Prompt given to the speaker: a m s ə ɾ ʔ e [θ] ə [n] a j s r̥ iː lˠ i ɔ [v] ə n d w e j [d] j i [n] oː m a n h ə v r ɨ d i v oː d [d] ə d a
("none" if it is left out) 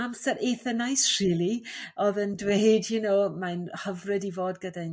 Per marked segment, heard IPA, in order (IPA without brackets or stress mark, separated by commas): θ, n, ð, d, n, ɡ